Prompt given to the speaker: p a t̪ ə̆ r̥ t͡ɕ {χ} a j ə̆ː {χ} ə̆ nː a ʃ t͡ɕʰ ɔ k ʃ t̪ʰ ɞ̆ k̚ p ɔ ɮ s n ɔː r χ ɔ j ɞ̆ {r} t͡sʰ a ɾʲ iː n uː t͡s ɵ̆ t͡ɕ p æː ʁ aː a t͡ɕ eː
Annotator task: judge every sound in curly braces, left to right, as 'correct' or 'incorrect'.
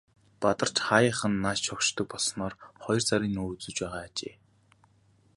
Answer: correct, correct, correct

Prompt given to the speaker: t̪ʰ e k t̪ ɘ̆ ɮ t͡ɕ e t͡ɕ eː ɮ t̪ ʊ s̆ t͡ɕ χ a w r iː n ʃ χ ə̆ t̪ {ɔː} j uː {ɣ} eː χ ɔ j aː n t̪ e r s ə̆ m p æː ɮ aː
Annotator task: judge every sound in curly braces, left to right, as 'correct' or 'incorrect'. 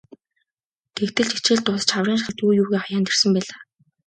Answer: incorrect: uː, correct

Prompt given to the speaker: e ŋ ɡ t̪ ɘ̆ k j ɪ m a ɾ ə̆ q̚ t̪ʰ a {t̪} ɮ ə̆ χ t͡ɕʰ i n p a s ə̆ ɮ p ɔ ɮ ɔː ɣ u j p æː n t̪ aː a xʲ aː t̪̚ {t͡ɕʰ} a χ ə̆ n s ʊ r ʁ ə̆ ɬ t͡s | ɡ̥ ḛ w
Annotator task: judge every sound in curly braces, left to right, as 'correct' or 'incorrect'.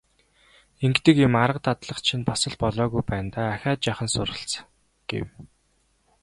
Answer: correct, incorrect: t͡ɕ

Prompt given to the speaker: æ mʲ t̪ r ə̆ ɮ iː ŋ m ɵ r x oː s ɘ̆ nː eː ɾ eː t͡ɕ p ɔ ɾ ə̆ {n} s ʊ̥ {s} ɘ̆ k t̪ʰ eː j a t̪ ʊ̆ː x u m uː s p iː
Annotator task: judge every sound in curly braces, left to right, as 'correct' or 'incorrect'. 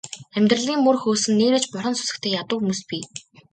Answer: correct, correct

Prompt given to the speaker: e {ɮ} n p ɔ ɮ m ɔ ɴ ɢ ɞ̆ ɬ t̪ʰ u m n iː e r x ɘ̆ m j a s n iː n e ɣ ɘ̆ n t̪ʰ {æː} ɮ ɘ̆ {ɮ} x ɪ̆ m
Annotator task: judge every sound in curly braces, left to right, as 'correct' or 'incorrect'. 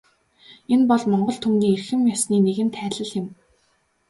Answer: incorrect: none, correct, correct

